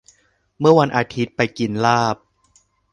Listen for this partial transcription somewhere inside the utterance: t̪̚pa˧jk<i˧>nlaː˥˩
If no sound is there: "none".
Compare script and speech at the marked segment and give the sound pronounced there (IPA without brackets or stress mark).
i˧